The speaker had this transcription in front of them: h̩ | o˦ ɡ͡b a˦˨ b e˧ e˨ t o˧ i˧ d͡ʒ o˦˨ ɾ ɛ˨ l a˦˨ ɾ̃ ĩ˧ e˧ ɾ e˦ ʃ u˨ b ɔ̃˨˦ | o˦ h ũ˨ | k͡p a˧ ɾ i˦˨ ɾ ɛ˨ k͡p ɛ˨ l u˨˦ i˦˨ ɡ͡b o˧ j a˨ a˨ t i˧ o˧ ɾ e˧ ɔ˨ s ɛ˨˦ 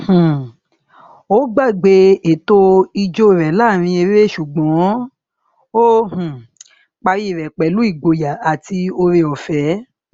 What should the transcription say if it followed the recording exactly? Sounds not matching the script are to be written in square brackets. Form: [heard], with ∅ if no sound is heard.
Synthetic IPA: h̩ | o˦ ɡ͡b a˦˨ [ɡ͡b] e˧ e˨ t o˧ i˧ d͡ʒ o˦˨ ɾ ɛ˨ l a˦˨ ɾ̃ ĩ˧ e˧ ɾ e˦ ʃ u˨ [ɡ͡b] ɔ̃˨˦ | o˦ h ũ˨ | k͡p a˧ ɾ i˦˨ ɾ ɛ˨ k͡p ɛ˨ l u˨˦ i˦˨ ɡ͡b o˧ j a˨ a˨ t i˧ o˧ ɾ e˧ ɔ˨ [f] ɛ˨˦

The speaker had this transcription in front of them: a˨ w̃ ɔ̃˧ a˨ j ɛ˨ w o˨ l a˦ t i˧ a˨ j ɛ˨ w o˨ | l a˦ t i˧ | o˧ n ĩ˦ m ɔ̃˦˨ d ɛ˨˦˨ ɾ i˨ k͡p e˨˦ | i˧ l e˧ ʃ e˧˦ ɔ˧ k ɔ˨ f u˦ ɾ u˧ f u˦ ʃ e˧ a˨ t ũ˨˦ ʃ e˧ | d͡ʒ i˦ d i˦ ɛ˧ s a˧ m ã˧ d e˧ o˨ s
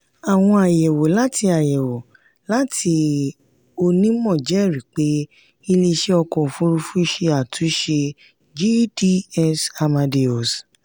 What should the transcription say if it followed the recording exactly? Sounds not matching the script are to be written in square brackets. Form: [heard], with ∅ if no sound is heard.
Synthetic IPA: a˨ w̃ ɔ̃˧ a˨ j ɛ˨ w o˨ l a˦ t i˧ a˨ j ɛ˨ w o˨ | l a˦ t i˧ | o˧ n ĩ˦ m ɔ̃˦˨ [d͡ʒ] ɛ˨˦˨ ɾ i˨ k͡p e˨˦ | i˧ l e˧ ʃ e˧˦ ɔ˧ k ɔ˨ f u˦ ɾ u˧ f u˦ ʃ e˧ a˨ t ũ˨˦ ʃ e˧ | d͡ʒ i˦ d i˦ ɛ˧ s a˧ m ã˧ d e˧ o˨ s

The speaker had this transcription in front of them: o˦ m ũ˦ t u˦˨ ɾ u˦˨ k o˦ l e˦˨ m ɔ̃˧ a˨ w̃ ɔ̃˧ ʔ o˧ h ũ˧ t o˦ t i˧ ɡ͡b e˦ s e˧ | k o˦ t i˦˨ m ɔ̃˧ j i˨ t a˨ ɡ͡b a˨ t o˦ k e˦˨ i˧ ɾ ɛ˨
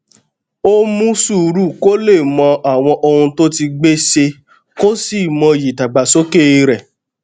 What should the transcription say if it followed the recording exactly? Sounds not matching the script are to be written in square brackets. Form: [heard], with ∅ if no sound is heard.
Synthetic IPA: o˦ m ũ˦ [s] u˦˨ ɾ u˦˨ k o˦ l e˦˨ m ɔ̃˧ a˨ w̃ ɔ̃˧ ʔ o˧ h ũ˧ t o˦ t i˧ ɡ͡b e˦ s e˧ | k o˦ [s] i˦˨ m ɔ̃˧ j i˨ t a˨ ɡ͡b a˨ [s] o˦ k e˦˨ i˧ ɾ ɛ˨

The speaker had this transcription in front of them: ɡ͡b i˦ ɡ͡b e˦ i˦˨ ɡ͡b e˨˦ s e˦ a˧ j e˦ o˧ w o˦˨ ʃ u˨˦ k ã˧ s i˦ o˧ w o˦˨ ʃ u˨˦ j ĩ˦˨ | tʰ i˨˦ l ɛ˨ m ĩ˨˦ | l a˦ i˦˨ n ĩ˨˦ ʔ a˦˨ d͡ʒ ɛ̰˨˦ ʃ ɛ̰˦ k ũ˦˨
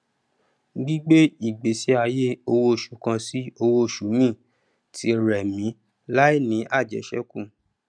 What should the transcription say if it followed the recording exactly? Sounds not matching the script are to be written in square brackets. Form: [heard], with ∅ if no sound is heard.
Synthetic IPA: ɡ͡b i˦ ɡ͡b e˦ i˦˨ ɡ͡b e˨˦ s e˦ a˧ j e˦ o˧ w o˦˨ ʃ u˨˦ k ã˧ s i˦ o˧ w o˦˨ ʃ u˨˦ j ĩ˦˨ | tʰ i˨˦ [ɾ] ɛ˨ m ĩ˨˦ | l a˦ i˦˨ n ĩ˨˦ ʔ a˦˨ d͡ʒ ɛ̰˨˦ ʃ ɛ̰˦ k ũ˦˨

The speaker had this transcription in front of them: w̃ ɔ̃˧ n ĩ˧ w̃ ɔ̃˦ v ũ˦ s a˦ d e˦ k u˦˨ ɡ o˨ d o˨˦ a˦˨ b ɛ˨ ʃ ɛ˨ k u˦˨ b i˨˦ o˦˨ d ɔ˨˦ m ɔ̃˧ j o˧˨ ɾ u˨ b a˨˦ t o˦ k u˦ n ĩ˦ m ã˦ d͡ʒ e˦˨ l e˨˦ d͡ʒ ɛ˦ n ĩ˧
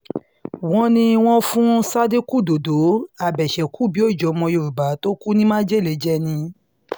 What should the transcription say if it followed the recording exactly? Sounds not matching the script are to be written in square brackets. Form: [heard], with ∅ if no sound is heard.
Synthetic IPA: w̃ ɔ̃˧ n ĩ˧ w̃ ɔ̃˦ [f] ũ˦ s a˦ d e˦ k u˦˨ [d] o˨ d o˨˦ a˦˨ b ɛ˨ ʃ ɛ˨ k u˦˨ b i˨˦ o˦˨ [d͡ʒ] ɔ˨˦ m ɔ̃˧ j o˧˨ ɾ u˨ b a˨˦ t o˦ k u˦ n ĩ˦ m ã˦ d͡ʒ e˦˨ l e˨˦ d͡ʒ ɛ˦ n ĩ˧

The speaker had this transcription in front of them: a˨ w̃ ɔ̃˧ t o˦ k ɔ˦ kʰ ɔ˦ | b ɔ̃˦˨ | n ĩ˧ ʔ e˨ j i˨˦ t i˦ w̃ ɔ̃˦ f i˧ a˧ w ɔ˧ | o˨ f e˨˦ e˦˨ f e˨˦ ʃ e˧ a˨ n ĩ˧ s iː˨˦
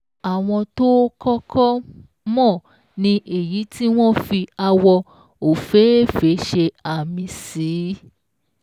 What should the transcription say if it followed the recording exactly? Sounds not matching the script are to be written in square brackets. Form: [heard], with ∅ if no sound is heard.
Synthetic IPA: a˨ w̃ ɔ̃˧ t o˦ k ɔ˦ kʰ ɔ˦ | [m] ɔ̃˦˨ | n ĩ˧ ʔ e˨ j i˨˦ t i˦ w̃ ɔ̃˦ f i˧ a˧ w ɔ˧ | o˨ f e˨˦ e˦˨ f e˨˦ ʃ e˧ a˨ [m] ĩ˧ s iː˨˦

